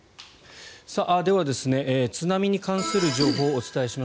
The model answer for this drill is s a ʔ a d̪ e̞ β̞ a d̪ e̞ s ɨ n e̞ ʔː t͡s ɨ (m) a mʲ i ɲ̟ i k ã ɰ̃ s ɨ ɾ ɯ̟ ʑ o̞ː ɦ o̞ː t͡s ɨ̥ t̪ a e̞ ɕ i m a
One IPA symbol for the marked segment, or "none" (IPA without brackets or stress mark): n